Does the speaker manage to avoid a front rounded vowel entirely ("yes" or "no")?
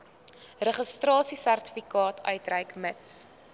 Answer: no